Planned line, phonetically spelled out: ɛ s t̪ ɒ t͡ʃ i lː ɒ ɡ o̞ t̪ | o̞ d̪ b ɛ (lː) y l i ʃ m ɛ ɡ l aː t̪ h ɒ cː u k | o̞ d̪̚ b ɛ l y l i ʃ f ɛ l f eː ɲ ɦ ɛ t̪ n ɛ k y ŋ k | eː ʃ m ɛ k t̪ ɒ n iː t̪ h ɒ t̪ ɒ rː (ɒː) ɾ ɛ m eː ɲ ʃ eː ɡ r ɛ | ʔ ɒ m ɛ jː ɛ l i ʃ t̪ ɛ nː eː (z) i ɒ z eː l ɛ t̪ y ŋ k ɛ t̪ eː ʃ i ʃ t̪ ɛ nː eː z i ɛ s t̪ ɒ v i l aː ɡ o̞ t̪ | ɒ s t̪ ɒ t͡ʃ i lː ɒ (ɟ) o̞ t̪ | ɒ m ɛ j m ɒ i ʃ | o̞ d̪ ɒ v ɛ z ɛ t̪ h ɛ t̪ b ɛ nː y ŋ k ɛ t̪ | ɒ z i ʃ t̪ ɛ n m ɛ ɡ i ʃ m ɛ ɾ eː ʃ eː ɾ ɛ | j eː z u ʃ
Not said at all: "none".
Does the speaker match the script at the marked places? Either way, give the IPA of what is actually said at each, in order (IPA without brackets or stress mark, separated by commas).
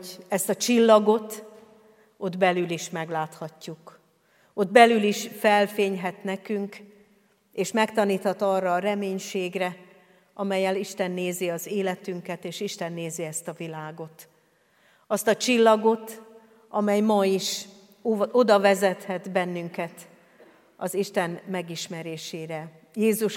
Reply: l, ɒː, z, ɡ